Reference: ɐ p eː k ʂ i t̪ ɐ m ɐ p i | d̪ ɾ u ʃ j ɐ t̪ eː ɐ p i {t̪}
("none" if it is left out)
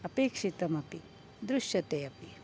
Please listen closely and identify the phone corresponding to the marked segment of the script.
none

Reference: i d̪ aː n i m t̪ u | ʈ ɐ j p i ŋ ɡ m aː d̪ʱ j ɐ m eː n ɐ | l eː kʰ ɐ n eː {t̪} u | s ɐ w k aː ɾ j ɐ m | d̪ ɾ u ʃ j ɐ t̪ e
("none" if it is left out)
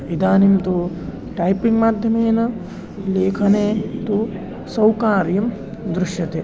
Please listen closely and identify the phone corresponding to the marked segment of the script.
t̪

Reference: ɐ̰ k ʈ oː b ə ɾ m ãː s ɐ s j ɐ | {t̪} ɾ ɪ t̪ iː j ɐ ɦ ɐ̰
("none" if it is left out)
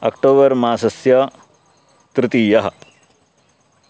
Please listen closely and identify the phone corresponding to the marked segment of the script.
t̪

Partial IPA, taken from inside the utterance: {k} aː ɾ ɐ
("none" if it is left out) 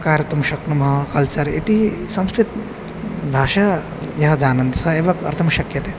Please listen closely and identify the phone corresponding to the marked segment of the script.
k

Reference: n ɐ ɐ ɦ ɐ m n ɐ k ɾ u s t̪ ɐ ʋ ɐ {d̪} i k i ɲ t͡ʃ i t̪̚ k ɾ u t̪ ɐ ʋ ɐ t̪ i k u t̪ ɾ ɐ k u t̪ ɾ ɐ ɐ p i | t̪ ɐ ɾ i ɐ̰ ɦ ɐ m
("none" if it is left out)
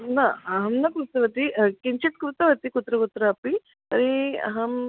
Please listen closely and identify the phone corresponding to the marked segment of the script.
t̪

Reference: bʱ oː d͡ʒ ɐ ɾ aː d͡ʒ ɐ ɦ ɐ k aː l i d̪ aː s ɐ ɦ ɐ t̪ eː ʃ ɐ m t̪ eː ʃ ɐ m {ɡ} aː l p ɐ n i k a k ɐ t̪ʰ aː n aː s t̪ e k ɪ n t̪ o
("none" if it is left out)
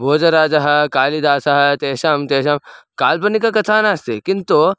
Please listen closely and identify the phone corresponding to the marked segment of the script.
k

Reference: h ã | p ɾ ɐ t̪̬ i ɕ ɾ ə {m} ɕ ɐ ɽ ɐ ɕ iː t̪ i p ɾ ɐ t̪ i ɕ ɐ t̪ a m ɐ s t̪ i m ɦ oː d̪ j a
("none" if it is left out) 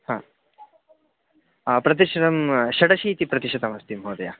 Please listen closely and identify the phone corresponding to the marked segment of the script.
m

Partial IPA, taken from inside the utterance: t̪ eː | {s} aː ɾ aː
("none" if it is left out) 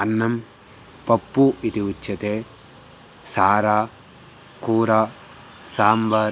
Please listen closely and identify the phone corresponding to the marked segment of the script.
s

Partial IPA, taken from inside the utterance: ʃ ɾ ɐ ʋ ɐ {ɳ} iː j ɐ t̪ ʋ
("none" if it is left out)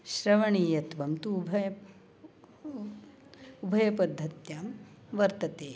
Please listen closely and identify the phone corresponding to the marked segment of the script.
ɳ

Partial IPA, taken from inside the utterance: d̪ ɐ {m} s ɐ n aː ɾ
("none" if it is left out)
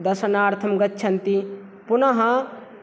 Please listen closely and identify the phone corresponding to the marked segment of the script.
none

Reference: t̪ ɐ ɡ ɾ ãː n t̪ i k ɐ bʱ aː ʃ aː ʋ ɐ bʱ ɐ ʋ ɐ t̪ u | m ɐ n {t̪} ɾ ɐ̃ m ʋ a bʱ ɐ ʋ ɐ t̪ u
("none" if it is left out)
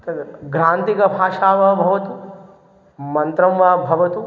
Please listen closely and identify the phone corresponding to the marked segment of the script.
t̪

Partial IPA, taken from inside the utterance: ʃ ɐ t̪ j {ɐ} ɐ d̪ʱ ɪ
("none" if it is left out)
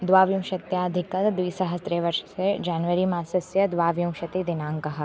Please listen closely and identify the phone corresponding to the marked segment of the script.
a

